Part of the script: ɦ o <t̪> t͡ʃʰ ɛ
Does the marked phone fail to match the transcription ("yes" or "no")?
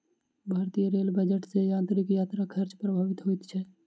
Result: no